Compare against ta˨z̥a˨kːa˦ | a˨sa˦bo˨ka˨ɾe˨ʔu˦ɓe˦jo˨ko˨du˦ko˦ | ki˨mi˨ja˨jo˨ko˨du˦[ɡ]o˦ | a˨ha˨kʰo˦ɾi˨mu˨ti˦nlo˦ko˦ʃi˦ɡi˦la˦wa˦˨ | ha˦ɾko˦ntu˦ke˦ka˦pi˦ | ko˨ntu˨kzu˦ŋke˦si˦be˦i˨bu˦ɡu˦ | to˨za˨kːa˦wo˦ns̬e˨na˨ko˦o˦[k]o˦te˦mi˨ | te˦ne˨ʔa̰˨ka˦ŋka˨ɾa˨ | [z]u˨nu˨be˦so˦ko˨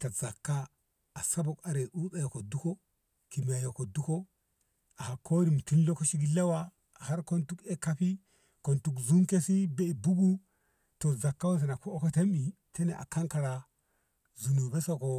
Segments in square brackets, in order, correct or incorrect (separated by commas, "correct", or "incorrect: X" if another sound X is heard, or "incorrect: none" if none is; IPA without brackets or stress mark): incorrect: k, correct, correct